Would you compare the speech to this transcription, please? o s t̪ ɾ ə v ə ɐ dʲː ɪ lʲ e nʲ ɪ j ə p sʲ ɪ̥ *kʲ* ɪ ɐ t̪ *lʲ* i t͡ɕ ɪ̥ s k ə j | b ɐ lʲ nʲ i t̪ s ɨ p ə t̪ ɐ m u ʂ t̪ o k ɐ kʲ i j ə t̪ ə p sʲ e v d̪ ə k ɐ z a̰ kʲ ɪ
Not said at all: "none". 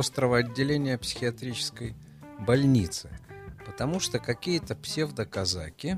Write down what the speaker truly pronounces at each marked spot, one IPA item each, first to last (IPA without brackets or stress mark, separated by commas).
xʲ, ɾʲ